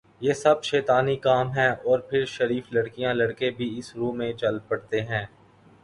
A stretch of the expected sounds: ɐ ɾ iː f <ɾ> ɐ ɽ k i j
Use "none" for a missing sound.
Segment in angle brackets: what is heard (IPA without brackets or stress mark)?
l